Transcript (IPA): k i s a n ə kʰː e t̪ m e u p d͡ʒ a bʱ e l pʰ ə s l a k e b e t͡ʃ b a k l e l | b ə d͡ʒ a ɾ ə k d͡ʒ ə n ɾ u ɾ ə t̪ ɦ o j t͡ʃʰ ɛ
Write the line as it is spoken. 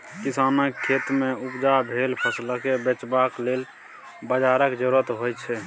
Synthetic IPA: k i s a n ə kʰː e t̪ m e u p d͡ʒ a bʱ e l pʰ ə s l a k e b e t͡ʃ b a k l e l | b ə d͡ʒ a ɾ ə k d͡ʒ ə ɾ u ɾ ə t̪ ɦ o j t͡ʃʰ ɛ

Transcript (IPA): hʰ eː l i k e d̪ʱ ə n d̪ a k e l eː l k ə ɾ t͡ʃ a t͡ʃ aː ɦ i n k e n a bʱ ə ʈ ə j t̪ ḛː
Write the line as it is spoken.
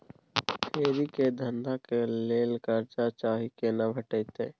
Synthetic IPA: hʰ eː ɾ i k e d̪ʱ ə n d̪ a k e l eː l k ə ɾ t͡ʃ a t͡ʃ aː ɦ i k e n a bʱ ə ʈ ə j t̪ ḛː

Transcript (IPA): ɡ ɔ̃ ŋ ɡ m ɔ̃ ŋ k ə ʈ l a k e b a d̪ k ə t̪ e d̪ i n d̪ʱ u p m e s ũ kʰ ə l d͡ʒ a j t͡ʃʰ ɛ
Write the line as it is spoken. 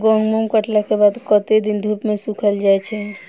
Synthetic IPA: ɡ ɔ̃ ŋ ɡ m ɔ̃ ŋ k ə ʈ l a k e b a d̪ k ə t̪ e d̪ i n d̪ʱ u p m e s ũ kʰ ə l d͡ʒ a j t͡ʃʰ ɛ

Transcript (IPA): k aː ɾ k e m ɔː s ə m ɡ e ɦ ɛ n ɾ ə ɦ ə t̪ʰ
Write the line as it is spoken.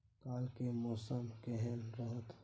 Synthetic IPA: k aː l k e m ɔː s ə m k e ɦ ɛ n ɾ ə ɦ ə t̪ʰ

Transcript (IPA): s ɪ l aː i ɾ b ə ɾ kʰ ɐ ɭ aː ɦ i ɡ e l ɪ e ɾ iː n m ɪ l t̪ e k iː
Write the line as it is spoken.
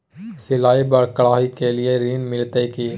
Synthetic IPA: s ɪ l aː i b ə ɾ k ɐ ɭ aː ɦ i k e l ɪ e ɾ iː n m ɪ l t̪ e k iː

